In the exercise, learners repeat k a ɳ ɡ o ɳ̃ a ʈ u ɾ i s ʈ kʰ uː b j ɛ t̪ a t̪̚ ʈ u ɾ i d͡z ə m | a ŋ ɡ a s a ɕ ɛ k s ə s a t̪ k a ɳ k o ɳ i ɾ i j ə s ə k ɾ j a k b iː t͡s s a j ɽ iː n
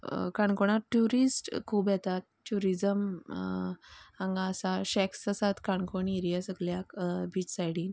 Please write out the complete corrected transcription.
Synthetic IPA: k a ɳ k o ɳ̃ a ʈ u ɾ i s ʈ kʰ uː b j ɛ t̪ a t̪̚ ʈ u ɾ i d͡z ə m | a ŋ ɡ a s a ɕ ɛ k s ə s a t̪ k a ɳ k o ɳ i ɾ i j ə s ə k l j a k b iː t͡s s a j ɽ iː n